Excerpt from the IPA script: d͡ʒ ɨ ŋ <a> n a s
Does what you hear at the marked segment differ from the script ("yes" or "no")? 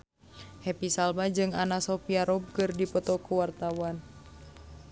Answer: no